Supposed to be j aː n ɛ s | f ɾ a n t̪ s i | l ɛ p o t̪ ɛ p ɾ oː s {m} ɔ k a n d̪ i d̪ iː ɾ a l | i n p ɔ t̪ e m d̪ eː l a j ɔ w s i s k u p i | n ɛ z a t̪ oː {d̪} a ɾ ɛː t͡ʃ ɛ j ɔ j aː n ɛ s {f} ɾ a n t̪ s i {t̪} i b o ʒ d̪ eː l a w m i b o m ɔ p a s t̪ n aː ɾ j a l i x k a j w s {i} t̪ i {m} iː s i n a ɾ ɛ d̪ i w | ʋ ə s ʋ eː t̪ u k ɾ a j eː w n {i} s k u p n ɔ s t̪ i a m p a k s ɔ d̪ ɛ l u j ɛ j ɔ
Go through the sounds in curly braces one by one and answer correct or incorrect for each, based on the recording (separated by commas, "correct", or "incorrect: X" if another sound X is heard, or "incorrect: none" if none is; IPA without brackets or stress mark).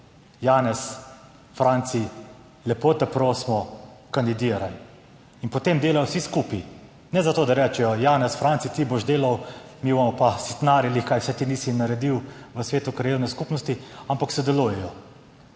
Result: correct, correct, correct, correct, incorrect: ɛ, incorrect: n, incorrect: ɛ